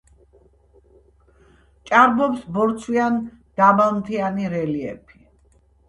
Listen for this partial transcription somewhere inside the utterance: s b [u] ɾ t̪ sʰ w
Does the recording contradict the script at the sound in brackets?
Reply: yes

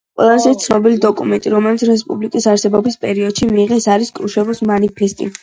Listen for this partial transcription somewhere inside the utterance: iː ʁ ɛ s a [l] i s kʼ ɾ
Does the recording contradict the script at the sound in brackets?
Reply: yes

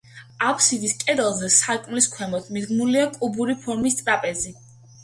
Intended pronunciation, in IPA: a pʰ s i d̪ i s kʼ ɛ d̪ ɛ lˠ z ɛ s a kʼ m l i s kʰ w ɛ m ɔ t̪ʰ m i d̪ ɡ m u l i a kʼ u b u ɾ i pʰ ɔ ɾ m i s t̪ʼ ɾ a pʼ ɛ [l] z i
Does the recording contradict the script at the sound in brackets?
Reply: yes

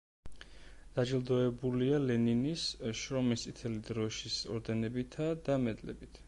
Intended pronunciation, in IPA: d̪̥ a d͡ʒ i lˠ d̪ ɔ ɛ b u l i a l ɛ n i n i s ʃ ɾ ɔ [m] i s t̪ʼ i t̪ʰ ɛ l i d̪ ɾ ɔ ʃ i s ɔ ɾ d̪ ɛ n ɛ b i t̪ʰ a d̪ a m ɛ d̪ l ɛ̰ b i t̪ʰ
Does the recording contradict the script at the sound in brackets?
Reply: no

